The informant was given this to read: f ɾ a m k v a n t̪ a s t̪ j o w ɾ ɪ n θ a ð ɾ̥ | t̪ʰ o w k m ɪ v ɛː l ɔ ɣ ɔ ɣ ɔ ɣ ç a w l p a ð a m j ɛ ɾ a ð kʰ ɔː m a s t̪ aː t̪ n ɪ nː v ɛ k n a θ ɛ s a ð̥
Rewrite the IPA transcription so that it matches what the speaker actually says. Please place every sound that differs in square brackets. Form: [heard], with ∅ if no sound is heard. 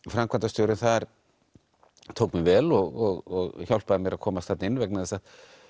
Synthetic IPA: f ɾ a m k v a n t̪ a s t̪ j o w ɾ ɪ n θ a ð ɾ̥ | t̪ʰ o w k m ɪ v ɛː l ɔ ɣ ɔ ɣ ɔ ɣ ç a w l p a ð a m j ɛ ɾ a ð kʰ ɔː m a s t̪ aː t̪ n ɪ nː v ɛ k n a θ ɛ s a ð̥